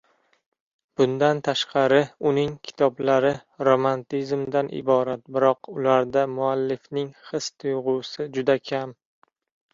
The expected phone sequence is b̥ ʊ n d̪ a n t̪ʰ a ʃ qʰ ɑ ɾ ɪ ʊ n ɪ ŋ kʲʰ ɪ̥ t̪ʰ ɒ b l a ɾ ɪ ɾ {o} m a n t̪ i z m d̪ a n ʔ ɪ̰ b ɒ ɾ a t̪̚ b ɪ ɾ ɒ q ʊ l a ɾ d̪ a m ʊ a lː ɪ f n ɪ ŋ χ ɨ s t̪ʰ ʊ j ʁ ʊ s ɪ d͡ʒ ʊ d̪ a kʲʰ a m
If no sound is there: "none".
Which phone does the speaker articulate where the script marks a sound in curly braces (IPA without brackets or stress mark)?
o